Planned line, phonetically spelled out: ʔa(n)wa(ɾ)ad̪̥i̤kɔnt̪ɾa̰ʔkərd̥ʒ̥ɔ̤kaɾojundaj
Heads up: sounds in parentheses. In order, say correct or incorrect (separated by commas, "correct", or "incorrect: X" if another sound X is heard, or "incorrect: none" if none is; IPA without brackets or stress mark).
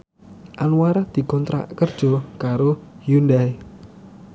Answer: correct, correct